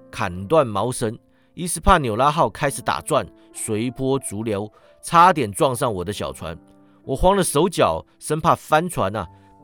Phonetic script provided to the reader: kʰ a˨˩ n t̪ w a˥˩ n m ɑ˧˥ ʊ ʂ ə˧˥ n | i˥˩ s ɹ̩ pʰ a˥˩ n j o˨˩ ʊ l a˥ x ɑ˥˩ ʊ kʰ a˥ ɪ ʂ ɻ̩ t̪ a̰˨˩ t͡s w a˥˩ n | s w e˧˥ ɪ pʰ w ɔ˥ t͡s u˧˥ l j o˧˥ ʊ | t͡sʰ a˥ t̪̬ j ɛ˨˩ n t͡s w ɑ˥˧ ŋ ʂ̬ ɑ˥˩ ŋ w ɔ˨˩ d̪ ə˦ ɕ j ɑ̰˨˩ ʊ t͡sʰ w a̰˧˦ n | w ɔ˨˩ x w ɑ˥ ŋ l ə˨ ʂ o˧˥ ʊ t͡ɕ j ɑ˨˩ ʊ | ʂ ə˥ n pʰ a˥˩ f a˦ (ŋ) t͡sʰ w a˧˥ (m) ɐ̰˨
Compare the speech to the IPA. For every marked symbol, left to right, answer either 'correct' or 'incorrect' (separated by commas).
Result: incorrect, incorrect